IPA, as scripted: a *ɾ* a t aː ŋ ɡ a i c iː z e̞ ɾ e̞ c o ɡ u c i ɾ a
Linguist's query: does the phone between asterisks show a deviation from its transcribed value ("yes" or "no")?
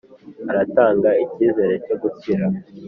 no